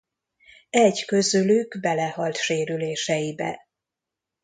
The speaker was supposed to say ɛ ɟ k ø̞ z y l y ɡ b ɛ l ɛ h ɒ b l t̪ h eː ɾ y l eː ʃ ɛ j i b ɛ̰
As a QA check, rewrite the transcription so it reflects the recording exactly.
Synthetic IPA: ɛ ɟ k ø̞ z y l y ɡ b ɛ l ɛ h ɒ l t̪ ʃ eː ɾ y l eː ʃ ɛ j i b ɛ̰